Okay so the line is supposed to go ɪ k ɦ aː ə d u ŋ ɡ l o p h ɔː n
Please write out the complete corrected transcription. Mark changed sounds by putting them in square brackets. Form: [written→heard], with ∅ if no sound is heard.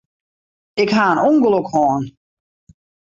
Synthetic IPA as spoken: ɪ k ɦ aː ə [d→n] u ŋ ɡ l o [p→k] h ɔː n